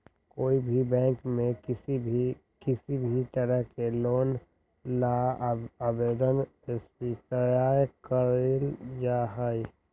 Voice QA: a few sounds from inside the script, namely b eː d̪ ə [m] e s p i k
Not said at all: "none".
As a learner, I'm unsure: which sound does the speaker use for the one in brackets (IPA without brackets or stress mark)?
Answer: n